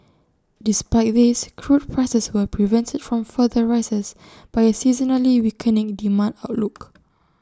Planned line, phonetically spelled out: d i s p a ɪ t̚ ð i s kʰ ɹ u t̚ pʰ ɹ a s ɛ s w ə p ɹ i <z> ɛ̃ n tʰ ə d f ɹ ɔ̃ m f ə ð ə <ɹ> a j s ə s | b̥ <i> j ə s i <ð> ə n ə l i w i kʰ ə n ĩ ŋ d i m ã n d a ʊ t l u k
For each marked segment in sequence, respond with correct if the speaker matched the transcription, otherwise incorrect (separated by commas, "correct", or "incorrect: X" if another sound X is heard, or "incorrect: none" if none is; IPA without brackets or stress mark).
incorrect: v, correct, incorrect: a, incorrect: z